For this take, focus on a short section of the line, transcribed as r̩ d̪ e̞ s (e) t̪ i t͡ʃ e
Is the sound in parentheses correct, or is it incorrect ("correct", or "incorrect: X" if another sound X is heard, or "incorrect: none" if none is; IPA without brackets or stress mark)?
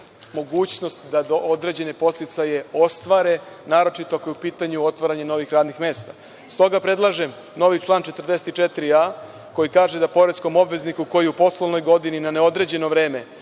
correct